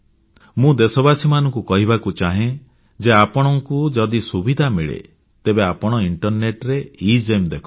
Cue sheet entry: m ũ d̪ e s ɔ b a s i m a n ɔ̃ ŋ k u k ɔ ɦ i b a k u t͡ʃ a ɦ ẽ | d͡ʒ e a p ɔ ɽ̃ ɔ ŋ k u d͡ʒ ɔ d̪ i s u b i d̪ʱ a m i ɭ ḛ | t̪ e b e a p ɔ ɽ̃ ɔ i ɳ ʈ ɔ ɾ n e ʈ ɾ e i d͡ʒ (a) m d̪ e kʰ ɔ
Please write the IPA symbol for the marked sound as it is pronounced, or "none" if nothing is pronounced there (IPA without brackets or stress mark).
e